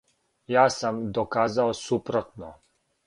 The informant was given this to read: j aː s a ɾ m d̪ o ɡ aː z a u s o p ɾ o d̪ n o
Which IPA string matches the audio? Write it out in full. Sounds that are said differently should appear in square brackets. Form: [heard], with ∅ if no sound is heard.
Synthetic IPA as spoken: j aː s a [∅] m d̪ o [k] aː z a [o] s [u] p ɾ o [t̪] n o